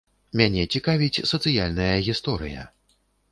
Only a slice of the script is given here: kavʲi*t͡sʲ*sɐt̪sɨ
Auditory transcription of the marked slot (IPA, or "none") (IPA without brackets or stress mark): t͡sʲ